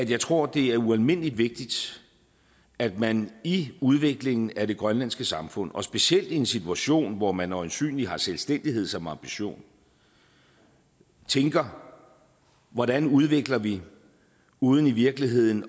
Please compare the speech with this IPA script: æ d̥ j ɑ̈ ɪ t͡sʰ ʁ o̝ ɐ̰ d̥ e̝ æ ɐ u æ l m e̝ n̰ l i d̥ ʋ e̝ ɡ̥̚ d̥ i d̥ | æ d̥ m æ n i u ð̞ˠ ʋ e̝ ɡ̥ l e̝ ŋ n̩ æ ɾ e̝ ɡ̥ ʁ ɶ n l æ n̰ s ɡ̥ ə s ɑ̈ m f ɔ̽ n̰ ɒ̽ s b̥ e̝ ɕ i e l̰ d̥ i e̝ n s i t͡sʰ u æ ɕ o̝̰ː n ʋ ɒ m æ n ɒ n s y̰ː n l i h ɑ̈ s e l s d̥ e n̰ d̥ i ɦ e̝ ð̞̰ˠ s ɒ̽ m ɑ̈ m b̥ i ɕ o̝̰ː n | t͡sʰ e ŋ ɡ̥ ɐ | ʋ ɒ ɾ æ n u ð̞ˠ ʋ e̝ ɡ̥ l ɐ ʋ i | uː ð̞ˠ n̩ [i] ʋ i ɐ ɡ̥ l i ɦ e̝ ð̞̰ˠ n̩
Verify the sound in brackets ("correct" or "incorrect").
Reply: correct